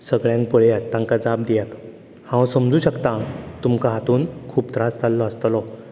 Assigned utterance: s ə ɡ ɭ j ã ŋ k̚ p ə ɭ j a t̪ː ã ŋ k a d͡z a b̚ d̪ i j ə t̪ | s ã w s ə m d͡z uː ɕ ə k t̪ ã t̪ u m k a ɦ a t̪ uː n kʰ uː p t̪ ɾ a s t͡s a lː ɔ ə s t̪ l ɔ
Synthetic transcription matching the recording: s ə ɡ ɭ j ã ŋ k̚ p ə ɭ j a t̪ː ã ŋ k a d͡z a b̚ d̪ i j a t̪ | h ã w s ə m d͡z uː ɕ ə k t̪ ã t̪ u m k a ɦ a t̪ uː n kʰ uː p t̪ ɾ a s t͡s a lː ɔ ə s t̪ l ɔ